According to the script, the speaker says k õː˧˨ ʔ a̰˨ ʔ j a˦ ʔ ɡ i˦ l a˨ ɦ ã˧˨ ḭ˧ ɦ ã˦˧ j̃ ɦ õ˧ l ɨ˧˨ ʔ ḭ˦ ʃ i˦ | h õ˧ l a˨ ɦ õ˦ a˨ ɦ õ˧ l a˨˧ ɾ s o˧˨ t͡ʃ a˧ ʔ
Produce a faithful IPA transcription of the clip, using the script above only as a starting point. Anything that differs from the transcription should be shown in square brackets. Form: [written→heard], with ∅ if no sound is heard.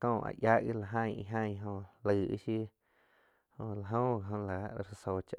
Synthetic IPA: k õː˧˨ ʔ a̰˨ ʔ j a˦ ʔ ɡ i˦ l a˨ ɦ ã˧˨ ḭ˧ ɦ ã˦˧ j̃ ɦ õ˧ l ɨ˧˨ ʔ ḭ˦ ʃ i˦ | h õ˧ l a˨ ɦ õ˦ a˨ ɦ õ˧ l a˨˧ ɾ s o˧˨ t͡ʃ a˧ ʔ